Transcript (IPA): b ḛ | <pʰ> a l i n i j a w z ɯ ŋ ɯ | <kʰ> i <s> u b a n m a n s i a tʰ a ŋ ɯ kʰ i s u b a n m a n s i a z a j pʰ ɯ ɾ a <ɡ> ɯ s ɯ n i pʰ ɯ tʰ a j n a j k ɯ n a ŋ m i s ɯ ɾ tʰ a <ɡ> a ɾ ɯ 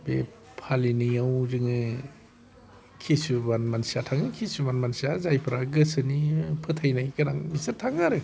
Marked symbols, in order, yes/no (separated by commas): yes, yes, yes, yes, no